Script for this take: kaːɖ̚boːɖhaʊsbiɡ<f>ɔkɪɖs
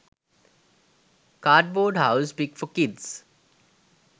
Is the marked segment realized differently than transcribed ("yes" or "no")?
no